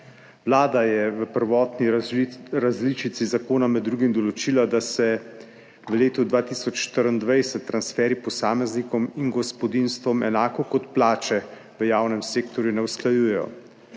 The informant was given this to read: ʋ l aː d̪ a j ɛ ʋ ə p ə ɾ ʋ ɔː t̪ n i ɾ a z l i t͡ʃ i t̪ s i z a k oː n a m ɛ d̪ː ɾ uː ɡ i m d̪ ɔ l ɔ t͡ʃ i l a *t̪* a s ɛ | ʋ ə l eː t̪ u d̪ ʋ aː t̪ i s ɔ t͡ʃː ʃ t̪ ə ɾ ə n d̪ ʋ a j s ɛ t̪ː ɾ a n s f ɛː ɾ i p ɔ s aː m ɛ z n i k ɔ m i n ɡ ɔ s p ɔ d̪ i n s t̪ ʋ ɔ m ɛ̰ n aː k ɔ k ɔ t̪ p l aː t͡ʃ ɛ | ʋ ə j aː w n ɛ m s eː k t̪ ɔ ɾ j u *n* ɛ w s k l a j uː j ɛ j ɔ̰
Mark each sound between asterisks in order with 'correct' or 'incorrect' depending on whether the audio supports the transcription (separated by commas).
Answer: incorrect, correct